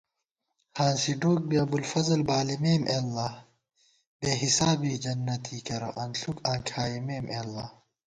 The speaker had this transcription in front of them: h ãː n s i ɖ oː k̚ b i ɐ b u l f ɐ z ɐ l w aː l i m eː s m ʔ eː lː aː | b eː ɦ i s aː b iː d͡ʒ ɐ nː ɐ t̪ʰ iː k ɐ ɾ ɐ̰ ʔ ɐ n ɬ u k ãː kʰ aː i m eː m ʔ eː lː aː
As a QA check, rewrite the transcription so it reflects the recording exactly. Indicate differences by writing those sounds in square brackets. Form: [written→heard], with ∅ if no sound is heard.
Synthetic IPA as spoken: h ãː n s i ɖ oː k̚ b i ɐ b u l f ɐ z ɐ l [w→b] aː l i m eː [s→∅] m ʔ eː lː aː | b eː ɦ i s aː b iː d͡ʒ ɐ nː ɐ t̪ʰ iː k ɐ ɾ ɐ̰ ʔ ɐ n ɬ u k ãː kʰ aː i m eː m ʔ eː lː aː